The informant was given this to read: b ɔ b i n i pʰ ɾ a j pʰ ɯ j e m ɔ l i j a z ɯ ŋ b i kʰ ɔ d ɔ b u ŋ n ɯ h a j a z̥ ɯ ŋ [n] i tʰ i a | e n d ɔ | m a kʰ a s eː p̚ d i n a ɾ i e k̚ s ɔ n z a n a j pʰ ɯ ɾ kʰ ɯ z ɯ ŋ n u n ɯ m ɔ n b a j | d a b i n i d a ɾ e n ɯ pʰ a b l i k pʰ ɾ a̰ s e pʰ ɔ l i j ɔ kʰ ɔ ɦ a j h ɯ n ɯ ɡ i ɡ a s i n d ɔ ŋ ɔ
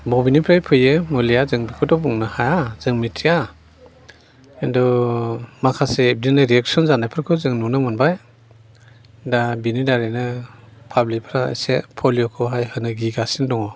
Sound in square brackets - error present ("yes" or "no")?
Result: yes